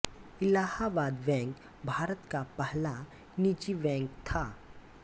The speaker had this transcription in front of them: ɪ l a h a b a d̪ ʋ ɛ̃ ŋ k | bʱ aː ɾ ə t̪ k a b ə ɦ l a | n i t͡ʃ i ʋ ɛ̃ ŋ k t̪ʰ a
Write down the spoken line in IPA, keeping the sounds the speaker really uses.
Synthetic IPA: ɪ l a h a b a d̪ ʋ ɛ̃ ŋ k | bʱ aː ɾ ə t̪ k a p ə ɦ l a | n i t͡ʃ i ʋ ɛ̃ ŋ k t̪ʰ a